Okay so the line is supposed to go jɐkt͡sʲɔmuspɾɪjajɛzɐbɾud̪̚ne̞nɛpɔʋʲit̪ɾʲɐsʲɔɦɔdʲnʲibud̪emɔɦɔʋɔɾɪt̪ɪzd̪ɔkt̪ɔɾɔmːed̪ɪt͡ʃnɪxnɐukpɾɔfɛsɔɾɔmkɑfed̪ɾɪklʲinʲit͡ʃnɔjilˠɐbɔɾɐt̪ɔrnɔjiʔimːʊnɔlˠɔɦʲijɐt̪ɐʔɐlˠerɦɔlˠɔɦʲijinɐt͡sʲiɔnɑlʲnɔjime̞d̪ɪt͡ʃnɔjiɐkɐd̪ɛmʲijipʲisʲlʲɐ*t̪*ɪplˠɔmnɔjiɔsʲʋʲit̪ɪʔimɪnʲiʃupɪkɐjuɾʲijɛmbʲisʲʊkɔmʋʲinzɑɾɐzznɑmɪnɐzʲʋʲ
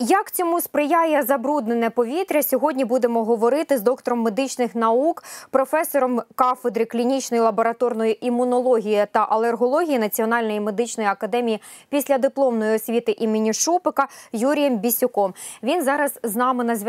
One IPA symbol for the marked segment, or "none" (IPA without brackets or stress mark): d̪